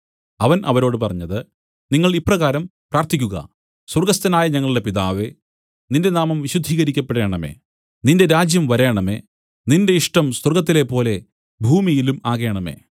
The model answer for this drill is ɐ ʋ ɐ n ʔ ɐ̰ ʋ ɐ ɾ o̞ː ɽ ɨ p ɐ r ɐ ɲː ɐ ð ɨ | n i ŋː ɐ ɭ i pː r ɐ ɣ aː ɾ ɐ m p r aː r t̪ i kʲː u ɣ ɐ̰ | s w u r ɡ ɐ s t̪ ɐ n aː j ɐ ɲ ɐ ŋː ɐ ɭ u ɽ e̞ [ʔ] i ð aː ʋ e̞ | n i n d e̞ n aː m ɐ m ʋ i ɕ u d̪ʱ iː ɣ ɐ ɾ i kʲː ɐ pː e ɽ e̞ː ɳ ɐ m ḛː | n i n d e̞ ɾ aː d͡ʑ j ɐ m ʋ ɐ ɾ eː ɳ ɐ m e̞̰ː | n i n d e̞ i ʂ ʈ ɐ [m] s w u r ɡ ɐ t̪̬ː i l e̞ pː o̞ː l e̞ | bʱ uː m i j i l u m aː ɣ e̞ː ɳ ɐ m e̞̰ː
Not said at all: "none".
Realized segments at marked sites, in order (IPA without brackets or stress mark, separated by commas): p, m